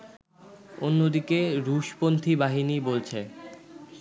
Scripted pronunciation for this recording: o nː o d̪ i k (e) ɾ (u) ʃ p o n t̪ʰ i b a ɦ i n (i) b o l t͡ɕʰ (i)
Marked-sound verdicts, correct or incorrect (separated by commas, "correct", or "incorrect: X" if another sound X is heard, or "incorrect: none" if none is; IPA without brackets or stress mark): correct, correct, correct, incorrect: e